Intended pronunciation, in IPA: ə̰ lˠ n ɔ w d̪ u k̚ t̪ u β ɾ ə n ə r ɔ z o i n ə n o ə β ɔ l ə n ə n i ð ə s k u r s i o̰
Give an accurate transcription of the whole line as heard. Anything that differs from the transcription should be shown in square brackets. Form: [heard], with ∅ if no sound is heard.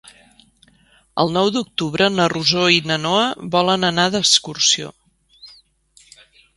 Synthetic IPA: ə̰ lˠ n ɔ w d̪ u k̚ t̪ u β ɾ ə n ə r [u] z o i n ə n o ə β ɔ l ə n ə n [a] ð ə s k u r s i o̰